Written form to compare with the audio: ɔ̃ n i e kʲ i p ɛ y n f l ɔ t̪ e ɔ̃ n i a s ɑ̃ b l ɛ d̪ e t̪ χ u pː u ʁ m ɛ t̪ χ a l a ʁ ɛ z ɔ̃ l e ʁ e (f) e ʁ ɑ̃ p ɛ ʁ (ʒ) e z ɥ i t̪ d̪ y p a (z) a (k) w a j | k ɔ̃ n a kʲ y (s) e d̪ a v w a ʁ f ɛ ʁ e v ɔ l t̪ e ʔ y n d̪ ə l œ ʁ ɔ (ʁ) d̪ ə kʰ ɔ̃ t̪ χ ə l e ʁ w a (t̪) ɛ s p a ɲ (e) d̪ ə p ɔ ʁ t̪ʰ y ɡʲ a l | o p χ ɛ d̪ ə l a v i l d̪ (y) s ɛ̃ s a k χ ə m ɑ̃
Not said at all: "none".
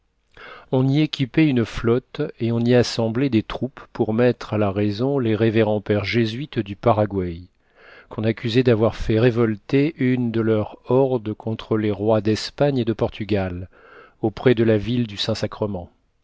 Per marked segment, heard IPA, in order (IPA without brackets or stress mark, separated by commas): v, ʒ, ʁ, ɡ, z, ʁ, d̪, e, y